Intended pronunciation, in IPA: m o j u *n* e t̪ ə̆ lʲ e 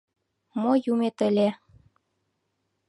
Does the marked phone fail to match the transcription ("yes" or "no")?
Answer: yes